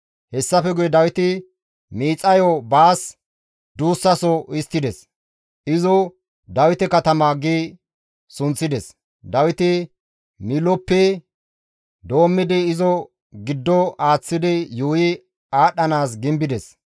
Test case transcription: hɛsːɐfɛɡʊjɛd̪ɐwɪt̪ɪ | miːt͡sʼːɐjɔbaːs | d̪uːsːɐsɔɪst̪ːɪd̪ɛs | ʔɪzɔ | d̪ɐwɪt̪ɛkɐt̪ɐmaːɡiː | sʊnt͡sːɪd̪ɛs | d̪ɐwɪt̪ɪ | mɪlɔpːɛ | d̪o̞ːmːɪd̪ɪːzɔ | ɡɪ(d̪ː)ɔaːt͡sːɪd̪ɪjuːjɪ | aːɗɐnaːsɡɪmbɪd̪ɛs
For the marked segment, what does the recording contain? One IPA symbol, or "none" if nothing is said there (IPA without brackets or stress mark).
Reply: d̪ː